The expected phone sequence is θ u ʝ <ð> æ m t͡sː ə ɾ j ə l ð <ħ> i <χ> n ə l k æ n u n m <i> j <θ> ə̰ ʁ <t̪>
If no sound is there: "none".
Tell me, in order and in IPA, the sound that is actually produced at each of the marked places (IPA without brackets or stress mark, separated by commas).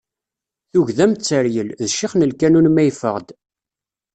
ð, ʃ, χ, æ, f, d̪